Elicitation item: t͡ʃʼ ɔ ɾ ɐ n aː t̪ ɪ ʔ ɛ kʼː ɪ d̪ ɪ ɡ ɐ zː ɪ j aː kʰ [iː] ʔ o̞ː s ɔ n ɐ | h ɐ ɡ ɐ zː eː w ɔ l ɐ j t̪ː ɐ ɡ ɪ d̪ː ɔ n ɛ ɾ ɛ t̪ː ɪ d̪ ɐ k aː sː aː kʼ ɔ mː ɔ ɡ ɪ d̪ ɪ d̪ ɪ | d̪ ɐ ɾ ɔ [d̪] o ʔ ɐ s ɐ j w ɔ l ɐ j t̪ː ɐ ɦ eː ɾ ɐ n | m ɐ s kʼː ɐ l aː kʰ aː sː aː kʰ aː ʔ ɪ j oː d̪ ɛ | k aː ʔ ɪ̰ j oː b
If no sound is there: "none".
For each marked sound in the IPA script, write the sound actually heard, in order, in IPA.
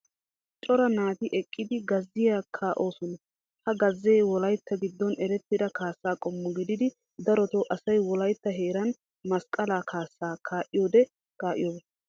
aː, t̪

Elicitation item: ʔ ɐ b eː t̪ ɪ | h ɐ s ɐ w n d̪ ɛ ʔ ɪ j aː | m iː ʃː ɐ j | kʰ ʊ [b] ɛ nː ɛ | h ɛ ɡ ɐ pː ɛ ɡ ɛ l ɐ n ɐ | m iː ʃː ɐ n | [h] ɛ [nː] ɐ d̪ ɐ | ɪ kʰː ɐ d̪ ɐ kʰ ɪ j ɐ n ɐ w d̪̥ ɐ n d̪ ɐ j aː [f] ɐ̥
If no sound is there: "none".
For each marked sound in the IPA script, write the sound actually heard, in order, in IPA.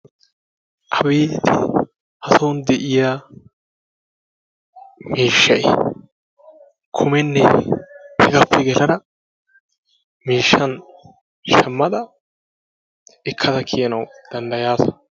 m, ʃ, mː, s

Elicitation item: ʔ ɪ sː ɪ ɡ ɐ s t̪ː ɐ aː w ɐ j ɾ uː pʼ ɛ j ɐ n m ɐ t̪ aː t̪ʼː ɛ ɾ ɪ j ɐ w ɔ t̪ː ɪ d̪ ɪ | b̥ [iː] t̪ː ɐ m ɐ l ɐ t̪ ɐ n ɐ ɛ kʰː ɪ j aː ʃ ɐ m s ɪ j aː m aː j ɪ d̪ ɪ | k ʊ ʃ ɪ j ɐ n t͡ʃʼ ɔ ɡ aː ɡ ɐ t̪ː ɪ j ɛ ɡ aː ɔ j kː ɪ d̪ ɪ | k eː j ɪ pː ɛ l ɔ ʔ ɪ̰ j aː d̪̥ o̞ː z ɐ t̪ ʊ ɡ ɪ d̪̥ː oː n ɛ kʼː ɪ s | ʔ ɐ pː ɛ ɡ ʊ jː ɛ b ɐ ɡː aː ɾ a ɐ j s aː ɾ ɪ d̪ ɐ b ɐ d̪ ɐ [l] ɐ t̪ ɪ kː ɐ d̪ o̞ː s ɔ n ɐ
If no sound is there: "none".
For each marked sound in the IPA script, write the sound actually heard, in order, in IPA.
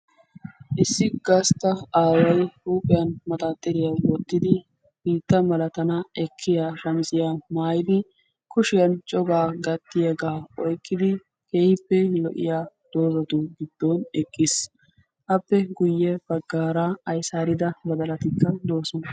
iː, l

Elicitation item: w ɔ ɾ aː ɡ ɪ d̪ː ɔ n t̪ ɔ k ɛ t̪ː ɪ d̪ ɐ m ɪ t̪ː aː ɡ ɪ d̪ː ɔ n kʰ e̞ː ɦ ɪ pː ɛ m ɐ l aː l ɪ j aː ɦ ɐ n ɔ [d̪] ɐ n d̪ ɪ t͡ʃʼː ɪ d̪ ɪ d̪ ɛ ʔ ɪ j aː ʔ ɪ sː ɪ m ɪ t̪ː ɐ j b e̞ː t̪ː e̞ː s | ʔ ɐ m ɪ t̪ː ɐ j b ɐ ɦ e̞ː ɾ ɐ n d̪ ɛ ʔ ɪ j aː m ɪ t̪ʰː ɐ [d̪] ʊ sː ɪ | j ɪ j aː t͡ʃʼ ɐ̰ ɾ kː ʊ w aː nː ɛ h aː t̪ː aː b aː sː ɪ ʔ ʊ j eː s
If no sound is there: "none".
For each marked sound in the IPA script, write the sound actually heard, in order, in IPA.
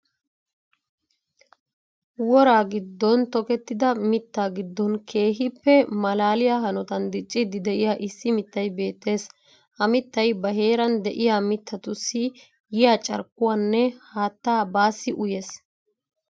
t̪, t̪

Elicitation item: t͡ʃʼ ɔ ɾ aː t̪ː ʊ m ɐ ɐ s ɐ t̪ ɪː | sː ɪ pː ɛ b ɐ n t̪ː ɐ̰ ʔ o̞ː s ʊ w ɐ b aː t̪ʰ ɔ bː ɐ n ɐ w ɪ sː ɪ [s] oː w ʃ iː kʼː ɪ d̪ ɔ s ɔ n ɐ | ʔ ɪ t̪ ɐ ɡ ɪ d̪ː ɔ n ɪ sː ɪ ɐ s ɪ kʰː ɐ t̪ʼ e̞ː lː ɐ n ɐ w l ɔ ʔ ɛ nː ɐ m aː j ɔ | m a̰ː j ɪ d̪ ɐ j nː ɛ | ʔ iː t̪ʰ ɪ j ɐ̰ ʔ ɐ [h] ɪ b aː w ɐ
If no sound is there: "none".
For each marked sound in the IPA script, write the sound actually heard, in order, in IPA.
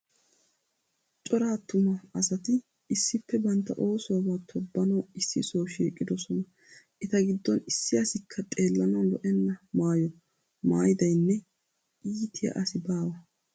s, s

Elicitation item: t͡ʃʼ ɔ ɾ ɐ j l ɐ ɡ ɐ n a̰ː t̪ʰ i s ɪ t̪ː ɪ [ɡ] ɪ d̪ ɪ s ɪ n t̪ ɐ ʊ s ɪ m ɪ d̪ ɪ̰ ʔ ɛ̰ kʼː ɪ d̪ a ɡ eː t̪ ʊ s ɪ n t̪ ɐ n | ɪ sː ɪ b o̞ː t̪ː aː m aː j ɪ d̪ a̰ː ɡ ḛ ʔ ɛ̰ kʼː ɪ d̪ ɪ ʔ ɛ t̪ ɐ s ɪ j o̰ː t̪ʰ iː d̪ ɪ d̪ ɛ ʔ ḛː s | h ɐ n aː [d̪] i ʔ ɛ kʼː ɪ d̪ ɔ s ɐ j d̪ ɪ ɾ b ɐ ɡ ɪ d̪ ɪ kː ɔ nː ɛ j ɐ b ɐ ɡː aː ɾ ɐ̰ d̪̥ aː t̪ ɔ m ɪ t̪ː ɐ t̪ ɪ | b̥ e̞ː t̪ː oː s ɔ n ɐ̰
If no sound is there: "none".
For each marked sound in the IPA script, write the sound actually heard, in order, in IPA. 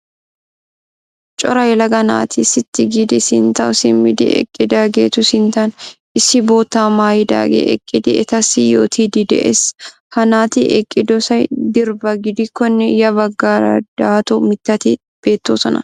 ɡ, t̪

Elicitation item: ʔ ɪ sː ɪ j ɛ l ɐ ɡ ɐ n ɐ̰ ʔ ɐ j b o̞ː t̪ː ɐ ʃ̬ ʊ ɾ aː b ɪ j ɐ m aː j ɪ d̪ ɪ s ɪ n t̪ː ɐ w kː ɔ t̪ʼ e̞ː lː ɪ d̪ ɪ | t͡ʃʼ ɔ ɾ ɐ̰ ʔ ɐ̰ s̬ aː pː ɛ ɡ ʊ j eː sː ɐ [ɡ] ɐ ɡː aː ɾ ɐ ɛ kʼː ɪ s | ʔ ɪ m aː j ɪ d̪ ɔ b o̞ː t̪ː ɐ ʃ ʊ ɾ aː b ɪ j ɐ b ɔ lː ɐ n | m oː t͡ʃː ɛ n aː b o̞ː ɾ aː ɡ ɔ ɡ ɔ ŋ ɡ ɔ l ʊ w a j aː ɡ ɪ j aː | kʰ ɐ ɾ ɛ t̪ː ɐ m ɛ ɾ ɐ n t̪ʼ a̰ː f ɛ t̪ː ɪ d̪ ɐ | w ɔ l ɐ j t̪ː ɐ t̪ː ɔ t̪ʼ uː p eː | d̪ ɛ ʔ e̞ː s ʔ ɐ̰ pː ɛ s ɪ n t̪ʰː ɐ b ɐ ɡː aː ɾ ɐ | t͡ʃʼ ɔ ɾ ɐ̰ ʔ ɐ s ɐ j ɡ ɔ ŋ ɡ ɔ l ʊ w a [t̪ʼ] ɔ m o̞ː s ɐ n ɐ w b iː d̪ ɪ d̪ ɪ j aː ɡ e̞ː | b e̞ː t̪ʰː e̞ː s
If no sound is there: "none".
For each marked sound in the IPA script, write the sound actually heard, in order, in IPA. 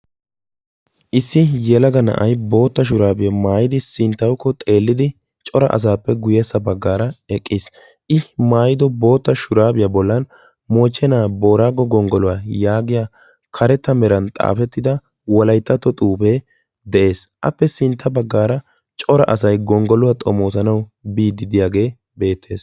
b, t̪ʼ

